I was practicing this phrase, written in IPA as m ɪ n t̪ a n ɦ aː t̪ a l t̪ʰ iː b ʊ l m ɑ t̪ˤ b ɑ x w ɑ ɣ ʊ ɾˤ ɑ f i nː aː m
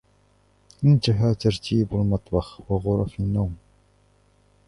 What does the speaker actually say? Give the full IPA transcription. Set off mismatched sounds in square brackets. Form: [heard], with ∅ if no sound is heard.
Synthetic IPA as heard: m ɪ n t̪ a [∅] ɦ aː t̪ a [ɾ] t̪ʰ iː b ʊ l m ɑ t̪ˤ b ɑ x w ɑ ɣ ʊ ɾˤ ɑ f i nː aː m